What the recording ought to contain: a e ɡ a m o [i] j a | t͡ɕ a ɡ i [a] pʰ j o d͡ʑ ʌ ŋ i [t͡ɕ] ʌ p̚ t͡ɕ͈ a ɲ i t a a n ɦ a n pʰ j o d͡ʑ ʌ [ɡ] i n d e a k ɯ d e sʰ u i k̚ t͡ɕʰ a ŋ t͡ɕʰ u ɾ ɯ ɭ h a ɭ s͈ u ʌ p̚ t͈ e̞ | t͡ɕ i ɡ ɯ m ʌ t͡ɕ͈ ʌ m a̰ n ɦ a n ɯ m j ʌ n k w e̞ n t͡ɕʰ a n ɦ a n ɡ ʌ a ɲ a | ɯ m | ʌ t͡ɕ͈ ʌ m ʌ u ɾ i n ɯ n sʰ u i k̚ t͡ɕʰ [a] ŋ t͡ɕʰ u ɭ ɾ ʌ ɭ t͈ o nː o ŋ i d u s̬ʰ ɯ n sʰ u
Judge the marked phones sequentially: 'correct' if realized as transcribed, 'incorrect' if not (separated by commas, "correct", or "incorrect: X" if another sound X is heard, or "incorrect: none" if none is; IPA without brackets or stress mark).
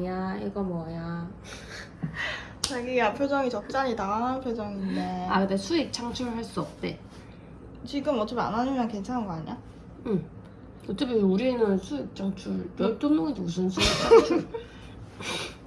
incorrect: a, correct, correct, incorrect: ŋ, correct